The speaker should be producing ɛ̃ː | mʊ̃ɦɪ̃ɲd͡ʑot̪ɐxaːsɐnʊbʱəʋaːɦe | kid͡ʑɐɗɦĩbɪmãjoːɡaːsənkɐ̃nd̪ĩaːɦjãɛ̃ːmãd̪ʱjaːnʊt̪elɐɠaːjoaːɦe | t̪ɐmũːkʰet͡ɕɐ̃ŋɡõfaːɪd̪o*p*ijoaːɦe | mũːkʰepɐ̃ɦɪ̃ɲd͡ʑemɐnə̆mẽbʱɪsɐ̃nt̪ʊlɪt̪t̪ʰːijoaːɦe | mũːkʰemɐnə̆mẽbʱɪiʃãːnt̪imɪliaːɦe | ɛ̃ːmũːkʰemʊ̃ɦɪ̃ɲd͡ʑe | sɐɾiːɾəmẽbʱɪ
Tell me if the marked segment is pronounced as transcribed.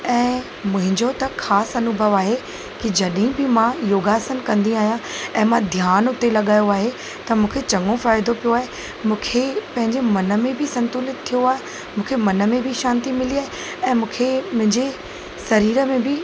yes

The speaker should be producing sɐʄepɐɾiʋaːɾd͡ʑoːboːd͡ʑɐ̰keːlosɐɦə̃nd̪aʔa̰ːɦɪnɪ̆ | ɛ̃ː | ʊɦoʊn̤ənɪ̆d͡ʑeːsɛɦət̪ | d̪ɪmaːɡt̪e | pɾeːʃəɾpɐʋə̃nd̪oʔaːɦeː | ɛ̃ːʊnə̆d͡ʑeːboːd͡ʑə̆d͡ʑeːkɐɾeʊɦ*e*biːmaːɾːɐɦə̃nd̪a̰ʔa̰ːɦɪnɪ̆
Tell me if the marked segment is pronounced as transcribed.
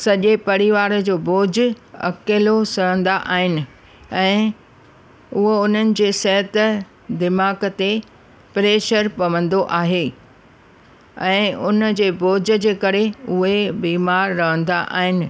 yes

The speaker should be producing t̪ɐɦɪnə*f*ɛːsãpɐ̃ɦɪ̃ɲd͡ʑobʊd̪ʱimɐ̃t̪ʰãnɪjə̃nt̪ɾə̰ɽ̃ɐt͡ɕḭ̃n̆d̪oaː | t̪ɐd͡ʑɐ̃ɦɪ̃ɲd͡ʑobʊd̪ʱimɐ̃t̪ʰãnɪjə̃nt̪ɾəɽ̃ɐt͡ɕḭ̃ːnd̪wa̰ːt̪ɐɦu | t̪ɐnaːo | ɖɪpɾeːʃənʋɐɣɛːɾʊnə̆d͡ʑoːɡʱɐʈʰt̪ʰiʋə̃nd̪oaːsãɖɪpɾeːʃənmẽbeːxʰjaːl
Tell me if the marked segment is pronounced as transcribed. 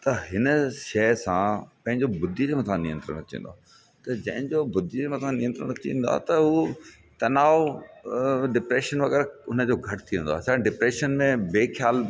no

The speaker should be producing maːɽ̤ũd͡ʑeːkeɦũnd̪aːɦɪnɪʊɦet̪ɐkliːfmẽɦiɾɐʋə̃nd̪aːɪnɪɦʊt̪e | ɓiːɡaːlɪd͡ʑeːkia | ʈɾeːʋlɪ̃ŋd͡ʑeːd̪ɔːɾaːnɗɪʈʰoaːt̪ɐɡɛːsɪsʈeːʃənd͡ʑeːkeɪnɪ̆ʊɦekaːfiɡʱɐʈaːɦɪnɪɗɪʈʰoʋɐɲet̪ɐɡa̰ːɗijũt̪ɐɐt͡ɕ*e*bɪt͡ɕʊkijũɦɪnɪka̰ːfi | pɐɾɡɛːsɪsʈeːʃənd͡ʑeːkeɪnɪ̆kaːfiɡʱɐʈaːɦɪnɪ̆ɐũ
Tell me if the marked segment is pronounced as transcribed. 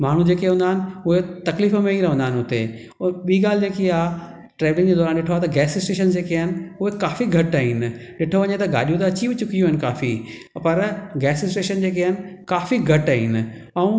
no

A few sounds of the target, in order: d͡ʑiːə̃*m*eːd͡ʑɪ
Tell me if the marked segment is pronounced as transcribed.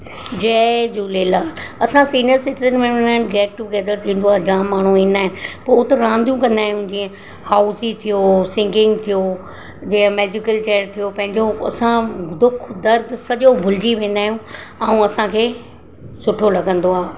yes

